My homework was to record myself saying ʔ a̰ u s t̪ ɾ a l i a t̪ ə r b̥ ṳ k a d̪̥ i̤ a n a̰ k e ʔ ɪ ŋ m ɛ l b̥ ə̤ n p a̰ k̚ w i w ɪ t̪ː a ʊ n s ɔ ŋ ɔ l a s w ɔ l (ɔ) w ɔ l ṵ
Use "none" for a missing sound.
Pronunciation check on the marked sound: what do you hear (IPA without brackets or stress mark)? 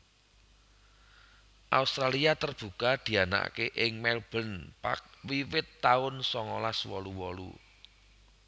u